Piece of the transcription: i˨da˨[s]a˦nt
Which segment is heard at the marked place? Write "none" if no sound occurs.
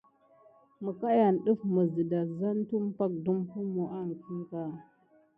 z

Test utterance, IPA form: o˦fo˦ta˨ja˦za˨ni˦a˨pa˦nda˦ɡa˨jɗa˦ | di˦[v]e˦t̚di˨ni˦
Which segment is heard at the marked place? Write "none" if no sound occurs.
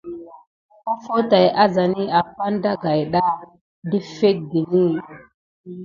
f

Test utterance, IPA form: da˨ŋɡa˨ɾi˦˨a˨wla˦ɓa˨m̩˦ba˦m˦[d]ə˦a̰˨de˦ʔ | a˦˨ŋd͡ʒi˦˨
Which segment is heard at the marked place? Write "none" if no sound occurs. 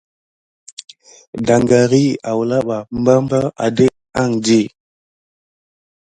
b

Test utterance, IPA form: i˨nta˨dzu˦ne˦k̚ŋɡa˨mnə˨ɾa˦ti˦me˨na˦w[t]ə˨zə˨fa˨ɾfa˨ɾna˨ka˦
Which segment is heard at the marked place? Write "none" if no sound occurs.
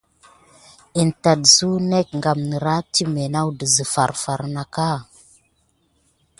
d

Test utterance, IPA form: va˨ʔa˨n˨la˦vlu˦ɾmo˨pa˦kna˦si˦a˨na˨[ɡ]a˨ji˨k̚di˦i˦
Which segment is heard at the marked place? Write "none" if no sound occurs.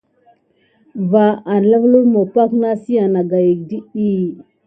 ɡ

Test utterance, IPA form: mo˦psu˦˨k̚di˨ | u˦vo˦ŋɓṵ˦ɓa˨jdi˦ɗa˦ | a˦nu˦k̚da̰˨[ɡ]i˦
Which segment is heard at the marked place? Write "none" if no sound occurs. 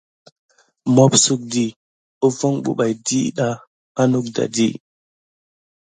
d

